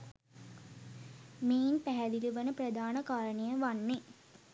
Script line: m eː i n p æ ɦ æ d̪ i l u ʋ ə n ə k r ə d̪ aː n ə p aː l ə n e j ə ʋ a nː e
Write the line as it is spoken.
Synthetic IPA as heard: m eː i n p æ ɦ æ d̪ i l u ʋ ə n ə p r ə d̪ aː n ə k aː ɾ ə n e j ə ʋ a nː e